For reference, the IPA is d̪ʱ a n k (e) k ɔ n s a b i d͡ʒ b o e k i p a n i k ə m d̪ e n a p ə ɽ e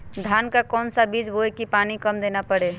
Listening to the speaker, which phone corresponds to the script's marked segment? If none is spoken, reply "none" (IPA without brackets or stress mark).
a